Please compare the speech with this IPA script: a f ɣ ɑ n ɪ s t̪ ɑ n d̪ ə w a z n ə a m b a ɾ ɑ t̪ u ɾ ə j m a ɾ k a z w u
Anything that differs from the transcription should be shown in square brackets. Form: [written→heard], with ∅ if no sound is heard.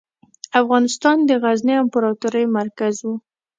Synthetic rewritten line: a f ɣ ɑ n ɪ s t̪ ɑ n d̪ ə [w→ɣ] a z n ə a m [b→p] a ɾ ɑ t̪ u ɾ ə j m a ɾ k a z w u